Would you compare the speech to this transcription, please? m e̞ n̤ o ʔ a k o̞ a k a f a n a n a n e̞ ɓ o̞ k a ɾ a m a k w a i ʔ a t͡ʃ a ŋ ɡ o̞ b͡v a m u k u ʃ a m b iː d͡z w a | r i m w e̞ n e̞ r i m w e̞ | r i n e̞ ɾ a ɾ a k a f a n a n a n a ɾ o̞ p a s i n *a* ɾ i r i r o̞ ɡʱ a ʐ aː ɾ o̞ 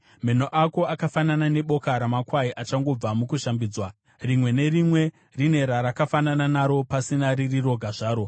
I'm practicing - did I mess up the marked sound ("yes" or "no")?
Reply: no